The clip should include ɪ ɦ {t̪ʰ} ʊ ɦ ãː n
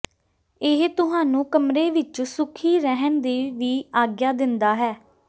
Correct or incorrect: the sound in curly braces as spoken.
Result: incorrect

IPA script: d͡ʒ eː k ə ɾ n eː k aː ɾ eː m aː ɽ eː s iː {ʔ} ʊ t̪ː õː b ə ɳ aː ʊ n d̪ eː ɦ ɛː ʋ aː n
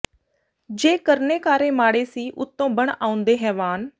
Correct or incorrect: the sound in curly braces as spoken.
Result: correct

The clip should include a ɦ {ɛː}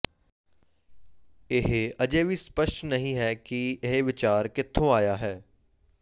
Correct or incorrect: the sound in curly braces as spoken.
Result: correct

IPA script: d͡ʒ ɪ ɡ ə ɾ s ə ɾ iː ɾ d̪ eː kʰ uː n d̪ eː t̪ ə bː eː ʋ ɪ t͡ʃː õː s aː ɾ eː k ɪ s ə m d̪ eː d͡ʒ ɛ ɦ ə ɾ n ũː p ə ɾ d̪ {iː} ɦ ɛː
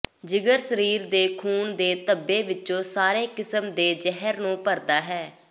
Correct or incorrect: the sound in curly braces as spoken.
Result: incorrect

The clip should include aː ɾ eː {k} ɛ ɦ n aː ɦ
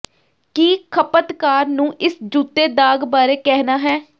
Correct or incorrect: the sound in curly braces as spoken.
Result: correct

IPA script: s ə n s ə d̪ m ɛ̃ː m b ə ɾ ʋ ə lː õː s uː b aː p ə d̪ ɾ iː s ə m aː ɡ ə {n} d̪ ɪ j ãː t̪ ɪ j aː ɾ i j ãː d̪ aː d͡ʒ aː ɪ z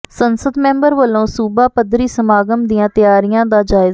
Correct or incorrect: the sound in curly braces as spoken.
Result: incorrect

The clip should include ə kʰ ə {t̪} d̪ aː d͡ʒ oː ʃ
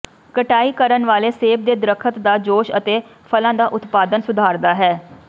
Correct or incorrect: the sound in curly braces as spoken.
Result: correct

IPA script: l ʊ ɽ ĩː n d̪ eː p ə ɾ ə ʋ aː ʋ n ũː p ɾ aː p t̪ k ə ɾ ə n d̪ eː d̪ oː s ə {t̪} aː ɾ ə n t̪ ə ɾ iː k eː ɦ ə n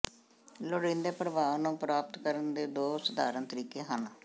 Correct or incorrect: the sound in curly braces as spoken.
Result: incorrect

